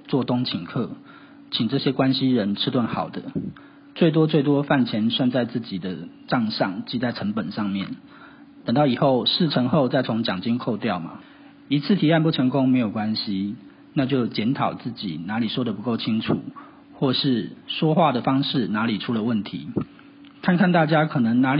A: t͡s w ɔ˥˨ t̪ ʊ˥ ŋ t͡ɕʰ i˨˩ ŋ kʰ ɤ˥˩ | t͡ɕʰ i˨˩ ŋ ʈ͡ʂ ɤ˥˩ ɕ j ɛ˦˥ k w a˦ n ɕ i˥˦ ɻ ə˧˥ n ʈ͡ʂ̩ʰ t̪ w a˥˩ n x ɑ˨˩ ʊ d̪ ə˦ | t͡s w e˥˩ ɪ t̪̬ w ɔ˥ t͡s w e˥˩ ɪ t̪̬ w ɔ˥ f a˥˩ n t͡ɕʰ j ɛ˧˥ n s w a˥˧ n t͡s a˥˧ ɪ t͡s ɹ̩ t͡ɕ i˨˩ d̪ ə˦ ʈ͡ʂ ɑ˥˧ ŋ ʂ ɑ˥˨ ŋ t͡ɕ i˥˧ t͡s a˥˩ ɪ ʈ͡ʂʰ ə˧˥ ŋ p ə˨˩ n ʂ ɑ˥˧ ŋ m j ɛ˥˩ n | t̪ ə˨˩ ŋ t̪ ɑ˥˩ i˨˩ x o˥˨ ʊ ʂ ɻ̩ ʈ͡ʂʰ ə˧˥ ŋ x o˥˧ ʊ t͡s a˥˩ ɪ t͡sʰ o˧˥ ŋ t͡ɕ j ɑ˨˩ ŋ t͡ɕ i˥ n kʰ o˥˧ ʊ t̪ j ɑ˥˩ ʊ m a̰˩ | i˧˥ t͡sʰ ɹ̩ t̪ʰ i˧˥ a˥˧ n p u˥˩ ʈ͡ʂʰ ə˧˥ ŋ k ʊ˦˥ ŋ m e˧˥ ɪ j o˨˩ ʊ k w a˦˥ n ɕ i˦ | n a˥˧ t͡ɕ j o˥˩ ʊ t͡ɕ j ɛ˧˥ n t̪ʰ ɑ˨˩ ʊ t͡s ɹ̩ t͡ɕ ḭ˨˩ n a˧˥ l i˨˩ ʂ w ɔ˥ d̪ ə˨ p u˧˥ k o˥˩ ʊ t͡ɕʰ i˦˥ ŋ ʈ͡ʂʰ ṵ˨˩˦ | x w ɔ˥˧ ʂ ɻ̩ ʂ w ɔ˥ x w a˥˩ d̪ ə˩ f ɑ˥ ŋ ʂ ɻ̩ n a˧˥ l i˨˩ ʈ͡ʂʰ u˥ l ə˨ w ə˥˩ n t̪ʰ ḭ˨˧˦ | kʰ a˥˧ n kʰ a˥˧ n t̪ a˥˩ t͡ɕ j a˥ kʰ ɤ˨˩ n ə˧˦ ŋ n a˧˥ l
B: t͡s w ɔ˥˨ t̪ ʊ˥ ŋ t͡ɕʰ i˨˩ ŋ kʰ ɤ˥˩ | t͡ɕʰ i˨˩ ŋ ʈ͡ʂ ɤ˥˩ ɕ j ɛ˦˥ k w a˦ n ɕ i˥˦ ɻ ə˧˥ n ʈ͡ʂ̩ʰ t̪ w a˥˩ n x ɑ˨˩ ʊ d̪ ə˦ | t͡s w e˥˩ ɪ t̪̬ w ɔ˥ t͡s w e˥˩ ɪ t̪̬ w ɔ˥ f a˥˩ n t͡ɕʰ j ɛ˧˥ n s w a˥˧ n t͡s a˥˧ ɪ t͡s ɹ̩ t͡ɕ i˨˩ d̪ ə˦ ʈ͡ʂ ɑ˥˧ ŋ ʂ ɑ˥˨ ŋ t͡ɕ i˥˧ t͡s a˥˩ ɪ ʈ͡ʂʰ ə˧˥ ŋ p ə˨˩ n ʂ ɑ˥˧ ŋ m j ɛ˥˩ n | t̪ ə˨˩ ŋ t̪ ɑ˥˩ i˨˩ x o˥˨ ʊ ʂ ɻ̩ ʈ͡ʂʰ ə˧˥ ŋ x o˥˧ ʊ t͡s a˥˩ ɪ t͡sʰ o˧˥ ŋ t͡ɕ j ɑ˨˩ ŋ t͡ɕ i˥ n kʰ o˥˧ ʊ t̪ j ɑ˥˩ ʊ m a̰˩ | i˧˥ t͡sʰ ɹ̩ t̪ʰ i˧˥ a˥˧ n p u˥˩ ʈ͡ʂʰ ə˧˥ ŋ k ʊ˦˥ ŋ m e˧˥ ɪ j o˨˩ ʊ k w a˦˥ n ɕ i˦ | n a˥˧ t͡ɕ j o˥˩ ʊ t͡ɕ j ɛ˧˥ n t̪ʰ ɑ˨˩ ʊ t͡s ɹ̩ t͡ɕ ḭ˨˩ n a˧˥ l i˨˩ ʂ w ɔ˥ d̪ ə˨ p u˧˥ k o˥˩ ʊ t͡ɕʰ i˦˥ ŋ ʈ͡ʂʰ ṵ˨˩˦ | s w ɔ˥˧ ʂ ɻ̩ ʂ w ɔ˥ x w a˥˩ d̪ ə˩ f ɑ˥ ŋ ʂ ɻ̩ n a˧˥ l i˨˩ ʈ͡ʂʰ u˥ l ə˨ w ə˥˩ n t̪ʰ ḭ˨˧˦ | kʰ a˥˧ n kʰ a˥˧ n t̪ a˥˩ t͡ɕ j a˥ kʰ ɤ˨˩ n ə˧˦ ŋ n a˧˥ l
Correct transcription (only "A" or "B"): A